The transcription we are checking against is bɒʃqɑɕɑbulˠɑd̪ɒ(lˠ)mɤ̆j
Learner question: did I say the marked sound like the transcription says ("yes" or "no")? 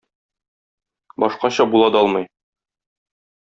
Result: yes